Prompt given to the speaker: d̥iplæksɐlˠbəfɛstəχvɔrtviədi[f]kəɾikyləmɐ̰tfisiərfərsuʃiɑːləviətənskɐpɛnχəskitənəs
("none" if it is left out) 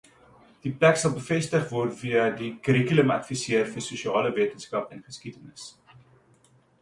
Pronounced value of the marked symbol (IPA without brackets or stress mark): none